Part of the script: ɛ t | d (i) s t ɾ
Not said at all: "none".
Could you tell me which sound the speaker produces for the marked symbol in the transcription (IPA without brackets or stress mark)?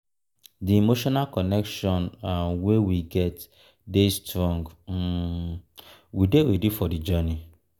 e